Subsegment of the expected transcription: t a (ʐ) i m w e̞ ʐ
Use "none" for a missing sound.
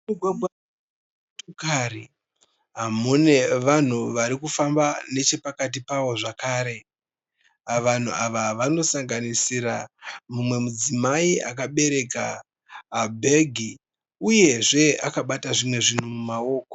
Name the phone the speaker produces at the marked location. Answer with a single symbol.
ʐ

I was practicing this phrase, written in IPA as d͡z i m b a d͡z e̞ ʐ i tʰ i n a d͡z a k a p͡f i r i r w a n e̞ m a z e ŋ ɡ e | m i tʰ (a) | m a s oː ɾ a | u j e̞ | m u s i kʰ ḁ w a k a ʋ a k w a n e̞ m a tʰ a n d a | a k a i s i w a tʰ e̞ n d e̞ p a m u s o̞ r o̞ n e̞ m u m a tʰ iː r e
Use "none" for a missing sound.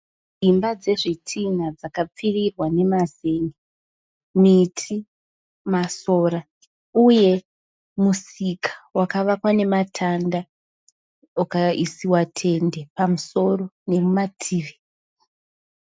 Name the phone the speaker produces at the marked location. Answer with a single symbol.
i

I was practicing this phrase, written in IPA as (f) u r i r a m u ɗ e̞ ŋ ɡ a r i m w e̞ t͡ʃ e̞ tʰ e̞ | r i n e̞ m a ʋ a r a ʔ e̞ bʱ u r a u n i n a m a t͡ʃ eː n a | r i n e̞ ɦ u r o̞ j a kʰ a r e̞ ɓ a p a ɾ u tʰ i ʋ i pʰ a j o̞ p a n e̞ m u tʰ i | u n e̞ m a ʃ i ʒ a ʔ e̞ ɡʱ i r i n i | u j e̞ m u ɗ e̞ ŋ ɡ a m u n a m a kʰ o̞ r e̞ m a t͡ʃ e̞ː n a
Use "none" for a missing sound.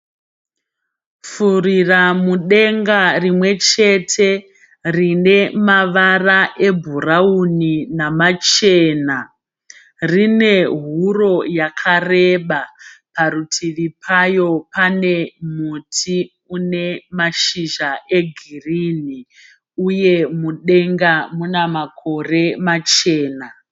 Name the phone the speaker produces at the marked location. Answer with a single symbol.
f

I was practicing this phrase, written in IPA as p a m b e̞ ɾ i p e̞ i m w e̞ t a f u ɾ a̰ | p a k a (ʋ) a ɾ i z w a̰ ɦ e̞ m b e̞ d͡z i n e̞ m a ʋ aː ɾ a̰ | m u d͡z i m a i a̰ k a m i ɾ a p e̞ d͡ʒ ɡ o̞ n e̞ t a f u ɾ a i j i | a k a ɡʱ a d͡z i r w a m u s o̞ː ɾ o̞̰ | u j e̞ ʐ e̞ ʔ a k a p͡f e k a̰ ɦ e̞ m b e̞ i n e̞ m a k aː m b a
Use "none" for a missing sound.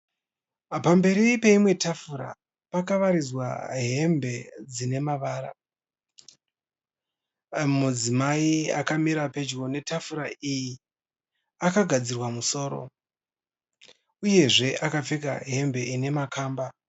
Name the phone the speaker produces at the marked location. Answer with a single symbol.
ʋ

